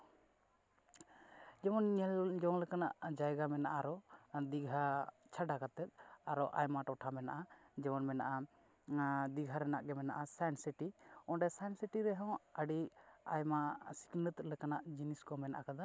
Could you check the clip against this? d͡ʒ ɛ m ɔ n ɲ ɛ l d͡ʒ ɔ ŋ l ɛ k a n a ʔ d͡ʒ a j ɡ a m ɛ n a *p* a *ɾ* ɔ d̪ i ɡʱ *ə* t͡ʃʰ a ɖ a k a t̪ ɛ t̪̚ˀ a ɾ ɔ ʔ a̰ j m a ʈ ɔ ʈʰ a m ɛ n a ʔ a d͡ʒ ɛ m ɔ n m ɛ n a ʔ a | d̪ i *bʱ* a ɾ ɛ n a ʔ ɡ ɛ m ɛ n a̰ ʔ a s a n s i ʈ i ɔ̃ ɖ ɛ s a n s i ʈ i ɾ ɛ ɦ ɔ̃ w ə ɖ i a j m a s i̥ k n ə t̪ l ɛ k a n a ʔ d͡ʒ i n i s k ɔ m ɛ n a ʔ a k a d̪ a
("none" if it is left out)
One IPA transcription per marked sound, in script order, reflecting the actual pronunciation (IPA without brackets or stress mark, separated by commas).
ʔ, ɾ, a, ɡʱ